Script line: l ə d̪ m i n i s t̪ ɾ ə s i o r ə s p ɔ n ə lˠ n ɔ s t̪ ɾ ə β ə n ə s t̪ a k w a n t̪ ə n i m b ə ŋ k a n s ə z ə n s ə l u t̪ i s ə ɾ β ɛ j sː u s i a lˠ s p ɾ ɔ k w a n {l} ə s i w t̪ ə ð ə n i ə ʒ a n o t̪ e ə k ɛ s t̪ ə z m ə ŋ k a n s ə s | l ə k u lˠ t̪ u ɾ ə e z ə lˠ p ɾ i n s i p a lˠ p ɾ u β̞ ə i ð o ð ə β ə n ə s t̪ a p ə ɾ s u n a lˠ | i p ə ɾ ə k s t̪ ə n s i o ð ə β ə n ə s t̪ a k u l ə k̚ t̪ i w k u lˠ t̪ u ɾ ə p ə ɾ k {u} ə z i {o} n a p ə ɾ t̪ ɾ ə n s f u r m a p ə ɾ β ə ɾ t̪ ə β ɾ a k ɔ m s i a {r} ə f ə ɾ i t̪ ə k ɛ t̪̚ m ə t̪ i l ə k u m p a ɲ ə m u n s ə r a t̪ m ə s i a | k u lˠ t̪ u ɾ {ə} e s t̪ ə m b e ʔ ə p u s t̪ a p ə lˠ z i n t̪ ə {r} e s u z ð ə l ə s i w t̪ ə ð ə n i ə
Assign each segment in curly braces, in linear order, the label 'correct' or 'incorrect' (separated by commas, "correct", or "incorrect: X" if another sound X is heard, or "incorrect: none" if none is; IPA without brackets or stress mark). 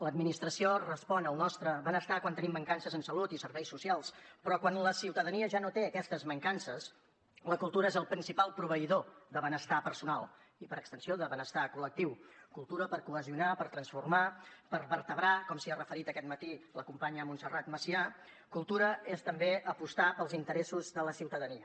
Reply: correct, correct, incorrect: u, correct, correct, incorrect: ɾ